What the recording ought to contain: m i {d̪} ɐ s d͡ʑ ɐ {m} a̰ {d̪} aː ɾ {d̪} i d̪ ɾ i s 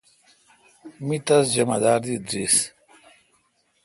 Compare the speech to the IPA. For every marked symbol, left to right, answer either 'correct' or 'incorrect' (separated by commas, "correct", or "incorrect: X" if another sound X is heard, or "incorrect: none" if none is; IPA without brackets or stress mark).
incorrect: t̪, correct, correct, correct